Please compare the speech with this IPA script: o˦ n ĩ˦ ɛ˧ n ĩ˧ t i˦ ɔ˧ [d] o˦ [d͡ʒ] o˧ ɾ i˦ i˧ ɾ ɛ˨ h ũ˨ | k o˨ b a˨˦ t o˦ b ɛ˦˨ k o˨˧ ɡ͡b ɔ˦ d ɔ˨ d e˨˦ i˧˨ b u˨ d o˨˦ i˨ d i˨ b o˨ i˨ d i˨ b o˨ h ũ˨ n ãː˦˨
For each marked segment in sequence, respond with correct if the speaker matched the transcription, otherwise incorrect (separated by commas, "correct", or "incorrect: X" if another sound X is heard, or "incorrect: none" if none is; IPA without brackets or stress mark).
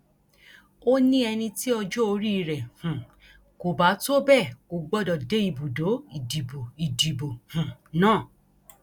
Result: incorrect: d͡ʒ, incorrect: none